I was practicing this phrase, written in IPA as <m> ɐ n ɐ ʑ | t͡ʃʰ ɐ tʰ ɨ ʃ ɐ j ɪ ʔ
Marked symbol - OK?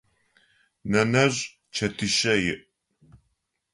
no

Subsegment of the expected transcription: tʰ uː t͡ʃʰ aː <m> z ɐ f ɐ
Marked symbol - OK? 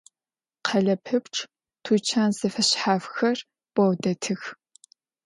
no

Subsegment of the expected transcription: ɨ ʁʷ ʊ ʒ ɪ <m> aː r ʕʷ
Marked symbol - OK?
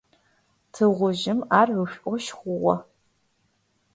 yes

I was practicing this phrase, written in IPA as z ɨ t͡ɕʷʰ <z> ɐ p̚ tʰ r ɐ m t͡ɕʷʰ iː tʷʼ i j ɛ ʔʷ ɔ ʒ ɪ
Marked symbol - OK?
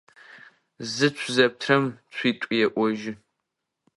yes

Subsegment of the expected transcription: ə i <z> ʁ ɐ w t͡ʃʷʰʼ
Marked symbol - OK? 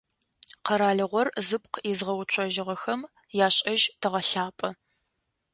yes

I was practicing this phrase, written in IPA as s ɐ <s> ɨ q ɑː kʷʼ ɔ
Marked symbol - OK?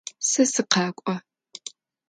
yes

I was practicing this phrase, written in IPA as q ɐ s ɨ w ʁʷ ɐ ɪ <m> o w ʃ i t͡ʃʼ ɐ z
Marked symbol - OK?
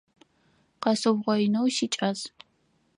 no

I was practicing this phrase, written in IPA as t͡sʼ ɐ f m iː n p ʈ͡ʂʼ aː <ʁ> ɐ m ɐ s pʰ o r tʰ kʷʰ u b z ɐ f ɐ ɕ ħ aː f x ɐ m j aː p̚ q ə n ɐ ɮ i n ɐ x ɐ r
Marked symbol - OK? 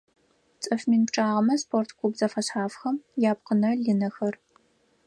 yes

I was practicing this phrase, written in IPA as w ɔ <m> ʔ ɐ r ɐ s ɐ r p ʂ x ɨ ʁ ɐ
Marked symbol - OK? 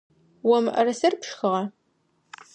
yes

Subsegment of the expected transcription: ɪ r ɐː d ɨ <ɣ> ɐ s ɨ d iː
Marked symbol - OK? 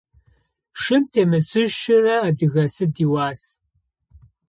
yes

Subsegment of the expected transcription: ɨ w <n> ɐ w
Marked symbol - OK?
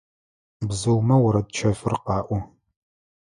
no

